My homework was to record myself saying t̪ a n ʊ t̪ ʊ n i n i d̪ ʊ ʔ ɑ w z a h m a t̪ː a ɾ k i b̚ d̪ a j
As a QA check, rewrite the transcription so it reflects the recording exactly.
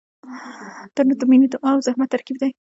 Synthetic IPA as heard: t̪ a n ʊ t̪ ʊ m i n i d̪ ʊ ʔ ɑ w z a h m a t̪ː a ɾ k i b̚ d̪ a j